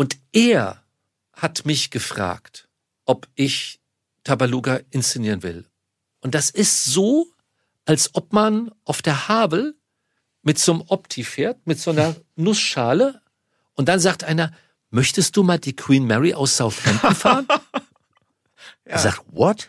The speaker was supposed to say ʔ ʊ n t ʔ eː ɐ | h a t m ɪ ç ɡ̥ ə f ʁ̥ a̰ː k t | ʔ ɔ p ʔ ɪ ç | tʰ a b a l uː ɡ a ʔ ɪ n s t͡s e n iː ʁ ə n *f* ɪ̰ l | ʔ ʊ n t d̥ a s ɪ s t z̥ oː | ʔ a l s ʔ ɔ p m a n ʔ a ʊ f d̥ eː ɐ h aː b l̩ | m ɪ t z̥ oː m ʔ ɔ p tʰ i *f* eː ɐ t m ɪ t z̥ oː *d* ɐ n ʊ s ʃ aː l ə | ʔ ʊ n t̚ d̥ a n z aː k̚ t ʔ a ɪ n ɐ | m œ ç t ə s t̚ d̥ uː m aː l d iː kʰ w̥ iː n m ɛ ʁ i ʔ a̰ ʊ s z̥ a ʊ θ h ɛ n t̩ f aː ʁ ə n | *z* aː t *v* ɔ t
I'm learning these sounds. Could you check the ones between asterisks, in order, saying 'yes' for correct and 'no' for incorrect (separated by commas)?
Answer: no, yes, no, yes, yes